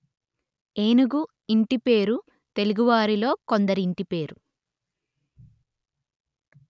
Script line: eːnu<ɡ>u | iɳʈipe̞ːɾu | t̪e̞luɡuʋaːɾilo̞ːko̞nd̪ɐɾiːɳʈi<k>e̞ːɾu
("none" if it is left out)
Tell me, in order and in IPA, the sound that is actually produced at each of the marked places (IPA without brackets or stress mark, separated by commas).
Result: ɡ, p